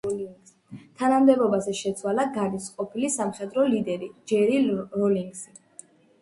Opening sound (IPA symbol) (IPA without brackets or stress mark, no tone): t̪ʰ